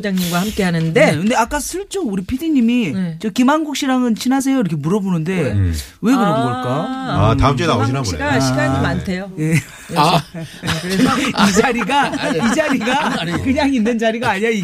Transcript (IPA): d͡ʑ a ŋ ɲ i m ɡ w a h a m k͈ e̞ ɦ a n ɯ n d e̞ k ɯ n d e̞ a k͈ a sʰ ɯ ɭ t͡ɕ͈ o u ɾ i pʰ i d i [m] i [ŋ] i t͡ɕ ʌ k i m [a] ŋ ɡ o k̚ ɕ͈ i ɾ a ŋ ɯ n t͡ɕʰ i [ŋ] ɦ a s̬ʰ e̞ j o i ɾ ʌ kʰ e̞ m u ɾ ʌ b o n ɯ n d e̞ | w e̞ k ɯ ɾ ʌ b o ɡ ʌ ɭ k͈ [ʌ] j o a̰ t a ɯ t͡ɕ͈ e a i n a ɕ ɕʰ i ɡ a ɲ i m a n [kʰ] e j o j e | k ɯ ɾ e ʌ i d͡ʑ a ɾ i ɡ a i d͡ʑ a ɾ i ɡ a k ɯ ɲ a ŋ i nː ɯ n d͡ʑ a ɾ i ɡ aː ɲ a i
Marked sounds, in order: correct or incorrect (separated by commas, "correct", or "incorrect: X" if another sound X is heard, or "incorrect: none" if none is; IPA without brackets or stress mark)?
incorrect: ɲ, incorrect: m, correct, incorrect: n, incorrect: a, incorrect: tʰ